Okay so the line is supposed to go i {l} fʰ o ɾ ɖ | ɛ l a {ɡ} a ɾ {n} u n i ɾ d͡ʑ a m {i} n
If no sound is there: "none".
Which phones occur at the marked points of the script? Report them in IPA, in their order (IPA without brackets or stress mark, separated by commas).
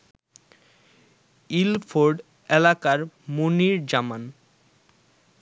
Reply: l, k, m, a